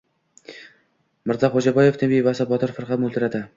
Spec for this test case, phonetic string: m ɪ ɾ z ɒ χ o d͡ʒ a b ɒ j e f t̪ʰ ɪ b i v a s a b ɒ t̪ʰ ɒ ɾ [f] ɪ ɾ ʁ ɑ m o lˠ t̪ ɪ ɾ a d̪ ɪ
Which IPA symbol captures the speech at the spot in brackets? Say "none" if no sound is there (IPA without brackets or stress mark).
f